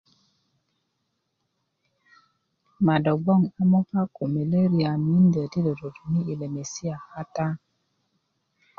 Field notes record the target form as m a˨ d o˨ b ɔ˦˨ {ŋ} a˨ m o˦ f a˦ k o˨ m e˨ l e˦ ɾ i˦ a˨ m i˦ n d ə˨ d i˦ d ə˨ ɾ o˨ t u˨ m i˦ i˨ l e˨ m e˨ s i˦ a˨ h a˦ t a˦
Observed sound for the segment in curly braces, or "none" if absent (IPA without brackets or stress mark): ŋ